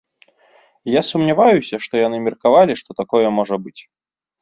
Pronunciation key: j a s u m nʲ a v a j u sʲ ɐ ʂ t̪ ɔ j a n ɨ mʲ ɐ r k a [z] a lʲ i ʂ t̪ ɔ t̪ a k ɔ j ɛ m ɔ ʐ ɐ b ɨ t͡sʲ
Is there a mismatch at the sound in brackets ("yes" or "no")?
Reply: yes